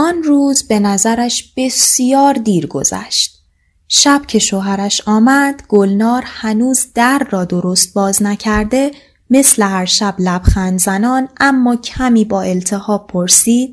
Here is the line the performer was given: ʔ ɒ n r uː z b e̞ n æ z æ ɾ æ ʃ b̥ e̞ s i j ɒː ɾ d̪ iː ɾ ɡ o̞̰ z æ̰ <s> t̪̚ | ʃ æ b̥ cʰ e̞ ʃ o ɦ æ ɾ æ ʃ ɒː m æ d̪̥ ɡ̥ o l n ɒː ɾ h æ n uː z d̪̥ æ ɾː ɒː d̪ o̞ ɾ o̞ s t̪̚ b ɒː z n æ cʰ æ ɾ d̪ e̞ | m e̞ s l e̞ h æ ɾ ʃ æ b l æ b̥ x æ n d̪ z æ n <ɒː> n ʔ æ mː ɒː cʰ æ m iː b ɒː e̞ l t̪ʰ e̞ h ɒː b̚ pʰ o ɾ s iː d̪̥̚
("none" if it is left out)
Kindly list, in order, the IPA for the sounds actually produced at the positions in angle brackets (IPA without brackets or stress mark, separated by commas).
ʃ, ɒː